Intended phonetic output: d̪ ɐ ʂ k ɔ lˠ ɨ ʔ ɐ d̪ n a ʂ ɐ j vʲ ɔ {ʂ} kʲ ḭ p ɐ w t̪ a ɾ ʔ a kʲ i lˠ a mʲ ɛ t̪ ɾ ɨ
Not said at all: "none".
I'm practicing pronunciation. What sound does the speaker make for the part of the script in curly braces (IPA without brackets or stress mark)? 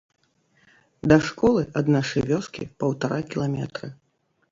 s